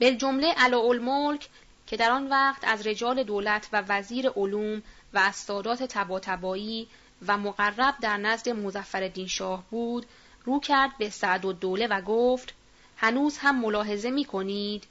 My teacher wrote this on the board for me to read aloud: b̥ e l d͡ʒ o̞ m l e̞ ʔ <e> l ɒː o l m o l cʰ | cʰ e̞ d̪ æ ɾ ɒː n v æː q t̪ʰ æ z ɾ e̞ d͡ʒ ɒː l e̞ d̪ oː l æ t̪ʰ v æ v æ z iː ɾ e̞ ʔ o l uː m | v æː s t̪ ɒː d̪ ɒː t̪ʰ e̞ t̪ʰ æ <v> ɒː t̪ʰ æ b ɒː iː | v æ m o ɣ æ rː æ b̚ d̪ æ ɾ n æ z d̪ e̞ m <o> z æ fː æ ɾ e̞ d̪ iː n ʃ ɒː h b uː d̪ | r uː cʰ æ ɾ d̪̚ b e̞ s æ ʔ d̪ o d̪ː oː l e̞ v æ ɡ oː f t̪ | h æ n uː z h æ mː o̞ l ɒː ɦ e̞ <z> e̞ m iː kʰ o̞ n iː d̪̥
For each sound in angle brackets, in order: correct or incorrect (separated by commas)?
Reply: incorrect, incorrect, correct, correct